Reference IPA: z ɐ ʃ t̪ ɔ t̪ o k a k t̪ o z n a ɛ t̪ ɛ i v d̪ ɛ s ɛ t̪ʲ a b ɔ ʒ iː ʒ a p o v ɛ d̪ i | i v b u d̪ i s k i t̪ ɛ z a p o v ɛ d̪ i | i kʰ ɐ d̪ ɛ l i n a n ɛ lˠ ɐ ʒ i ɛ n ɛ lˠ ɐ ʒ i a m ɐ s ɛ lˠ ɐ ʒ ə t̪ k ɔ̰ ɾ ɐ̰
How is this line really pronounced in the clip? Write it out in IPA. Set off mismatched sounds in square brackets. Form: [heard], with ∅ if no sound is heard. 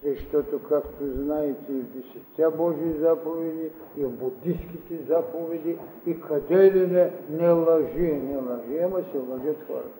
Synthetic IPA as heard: z ɐ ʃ t̪ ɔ t̪ o k a k t̪ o z n a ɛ t̪ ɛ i v d̪ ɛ s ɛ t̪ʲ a b ɔ ʒ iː [z] a p o v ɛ d̪ i | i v b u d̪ i s k i t̪ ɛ z a p o v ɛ d̪ i | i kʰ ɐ d̪ ɛ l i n [ɛ] n ɛ lˠ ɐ ʒ i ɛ n ɛ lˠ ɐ ʒ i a m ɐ s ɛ lˠ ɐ ʒ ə t̪ [x] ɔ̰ ɾ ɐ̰